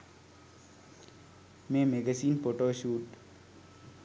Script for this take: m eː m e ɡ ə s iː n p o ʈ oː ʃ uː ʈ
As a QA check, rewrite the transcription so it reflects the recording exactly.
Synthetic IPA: m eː m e ɡ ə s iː n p o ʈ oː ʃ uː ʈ